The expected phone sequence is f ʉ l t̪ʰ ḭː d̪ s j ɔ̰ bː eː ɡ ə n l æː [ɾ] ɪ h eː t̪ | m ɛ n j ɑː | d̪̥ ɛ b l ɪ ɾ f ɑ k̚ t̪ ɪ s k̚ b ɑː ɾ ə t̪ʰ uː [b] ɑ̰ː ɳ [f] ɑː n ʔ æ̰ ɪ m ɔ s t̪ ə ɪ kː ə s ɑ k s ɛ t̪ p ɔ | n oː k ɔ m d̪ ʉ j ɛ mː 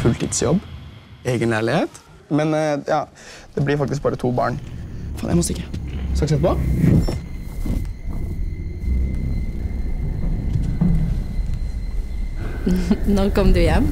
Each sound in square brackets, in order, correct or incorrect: incorrect, correct, correct

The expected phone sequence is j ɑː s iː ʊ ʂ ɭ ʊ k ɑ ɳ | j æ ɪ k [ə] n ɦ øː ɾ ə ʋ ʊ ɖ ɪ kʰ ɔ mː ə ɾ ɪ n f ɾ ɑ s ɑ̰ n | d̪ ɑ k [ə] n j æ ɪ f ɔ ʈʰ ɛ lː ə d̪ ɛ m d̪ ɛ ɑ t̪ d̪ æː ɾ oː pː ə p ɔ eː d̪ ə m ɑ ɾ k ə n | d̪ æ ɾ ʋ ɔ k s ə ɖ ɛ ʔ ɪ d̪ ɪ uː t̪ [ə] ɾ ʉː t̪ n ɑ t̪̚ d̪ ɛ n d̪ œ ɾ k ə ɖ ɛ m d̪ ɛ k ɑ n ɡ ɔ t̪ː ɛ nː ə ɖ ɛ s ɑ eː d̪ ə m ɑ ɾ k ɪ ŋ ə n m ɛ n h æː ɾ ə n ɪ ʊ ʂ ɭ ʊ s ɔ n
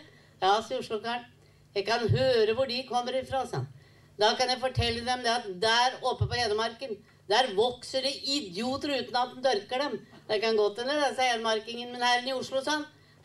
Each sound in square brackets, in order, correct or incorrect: incorrect, incorrect, correct

